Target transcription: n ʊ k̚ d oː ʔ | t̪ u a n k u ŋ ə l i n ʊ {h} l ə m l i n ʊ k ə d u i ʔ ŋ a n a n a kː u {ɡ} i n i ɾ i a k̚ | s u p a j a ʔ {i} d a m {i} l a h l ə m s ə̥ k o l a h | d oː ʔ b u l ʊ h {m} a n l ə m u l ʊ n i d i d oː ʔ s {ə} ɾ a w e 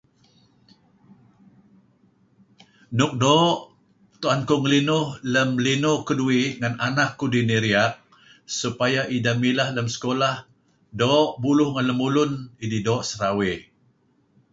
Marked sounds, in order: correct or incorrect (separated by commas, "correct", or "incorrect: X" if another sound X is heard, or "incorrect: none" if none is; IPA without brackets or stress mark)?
correct, incorrect: d, correct, correct, incorrect: ŋ, correct